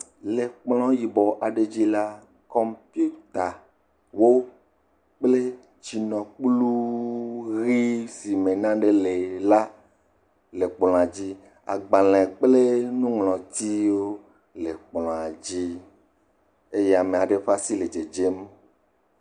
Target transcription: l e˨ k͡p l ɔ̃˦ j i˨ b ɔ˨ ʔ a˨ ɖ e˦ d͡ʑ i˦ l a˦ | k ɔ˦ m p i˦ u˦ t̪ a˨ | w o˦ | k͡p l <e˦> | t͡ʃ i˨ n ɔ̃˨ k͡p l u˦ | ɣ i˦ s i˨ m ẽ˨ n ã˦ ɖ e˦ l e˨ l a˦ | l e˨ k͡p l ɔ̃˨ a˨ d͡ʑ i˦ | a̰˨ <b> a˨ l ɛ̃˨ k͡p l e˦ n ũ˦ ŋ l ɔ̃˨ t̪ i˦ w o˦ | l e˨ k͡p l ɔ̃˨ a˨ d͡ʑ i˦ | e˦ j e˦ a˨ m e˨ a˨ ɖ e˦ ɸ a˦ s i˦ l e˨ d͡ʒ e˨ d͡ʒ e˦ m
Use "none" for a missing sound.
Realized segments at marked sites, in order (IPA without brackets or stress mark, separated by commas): e˦, ɡ͡b